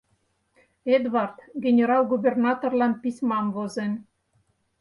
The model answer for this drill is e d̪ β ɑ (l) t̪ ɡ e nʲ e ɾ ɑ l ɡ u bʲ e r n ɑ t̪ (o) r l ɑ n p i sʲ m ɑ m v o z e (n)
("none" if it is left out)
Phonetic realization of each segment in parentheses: r, o, n

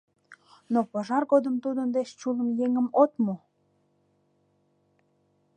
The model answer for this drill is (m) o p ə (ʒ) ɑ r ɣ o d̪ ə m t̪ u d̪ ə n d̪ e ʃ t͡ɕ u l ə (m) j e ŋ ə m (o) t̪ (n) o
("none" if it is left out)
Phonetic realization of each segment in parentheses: n, ʒ, m, o, m

